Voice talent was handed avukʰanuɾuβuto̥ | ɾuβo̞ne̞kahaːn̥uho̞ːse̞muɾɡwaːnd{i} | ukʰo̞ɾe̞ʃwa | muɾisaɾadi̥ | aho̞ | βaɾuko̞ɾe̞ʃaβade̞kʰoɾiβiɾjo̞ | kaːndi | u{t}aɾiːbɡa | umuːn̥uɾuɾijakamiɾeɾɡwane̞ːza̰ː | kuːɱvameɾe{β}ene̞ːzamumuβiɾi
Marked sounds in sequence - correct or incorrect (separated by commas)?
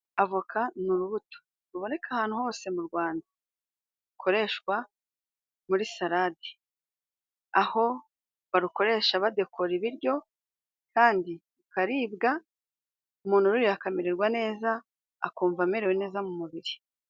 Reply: incorrect, incorrect, incorrect